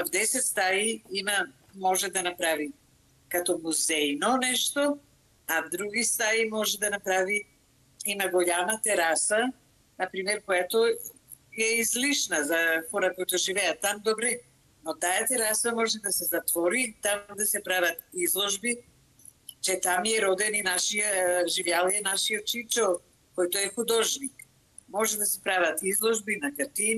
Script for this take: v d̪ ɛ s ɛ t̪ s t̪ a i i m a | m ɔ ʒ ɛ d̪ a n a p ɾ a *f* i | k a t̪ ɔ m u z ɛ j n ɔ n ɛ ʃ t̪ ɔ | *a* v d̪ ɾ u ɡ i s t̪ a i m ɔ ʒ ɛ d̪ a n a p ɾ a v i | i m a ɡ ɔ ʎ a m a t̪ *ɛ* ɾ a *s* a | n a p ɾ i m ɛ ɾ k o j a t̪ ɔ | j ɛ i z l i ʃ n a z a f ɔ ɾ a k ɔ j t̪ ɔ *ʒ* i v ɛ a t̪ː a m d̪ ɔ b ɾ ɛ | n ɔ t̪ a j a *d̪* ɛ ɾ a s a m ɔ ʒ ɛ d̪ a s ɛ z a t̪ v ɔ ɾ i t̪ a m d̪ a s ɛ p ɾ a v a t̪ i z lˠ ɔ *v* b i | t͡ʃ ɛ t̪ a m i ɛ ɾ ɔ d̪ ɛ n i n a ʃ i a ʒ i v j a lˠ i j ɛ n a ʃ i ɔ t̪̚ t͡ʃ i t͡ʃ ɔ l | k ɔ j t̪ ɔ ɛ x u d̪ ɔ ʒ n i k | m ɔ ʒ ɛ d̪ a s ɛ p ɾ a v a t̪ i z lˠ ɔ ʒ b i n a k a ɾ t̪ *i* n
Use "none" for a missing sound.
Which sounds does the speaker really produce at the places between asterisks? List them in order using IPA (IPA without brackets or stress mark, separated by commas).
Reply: v, a, ɛ, s, ʒ, t̪, ʒ, i